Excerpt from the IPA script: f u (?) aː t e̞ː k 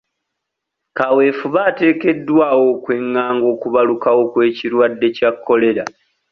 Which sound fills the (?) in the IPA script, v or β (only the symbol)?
β